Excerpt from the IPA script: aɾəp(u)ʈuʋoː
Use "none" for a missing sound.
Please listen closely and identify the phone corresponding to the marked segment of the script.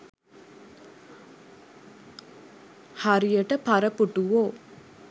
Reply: u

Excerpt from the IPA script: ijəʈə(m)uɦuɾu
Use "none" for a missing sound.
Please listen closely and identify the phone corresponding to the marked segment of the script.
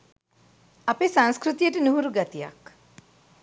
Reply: n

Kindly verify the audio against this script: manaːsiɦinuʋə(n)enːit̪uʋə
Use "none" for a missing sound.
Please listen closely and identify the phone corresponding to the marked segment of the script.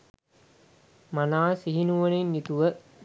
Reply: n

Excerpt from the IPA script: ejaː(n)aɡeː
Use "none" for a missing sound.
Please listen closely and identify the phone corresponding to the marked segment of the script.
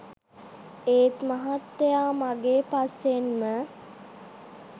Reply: m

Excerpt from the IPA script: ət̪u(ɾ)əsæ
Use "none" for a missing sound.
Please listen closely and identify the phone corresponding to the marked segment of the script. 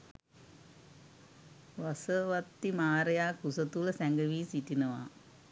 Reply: l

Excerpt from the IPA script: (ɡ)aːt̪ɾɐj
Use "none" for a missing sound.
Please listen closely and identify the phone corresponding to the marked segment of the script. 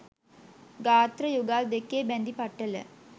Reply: ɡ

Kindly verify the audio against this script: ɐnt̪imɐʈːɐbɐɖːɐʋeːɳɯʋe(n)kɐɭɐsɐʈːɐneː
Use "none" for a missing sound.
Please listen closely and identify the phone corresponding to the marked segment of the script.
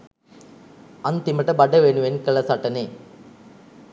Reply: n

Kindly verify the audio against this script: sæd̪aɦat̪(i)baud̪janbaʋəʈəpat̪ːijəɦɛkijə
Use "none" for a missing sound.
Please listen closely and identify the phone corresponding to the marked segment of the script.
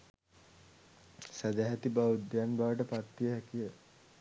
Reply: i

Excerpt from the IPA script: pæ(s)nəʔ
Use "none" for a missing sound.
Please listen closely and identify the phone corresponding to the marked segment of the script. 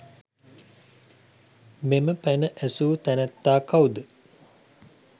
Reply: none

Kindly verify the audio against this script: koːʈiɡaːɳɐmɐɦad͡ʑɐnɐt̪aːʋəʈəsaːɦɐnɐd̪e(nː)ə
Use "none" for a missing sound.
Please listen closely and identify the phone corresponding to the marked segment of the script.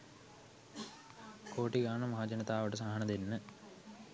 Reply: nː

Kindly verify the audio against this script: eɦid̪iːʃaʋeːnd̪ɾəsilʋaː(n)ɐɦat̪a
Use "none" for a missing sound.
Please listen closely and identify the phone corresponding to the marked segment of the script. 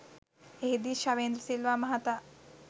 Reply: m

